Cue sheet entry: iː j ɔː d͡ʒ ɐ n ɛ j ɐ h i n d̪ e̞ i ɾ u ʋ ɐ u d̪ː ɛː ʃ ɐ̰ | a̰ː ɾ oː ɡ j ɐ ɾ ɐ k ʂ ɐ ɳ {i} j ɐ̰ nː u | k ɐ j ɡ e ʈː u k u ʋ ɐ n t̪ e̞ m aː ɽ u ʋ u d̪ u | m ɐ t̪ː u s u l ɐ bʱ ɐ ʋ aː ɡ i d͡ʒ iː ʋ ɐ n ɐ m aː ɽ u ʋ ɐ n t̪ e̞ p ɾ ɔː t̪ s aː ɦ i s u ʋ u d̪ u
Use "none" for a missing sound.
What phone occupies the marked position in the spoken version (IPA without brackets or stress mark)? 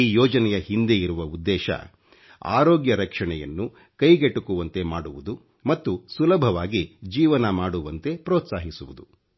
ɛ